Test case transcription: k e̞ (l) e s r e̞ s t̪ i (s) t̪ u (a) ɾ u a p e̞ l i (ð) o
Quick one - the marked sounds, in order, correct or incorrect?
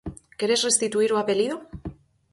incorrect, incorrect, incorrect, correct

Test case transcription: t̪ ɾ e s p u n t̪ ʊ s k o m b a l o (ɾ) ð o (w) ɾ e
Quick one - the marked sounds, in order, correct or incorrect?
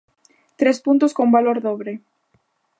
correct, incorrect

